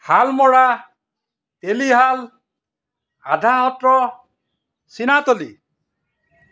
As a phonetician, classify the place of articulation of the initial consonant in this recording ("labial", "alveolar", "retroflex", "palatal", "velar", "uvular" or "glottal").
glottal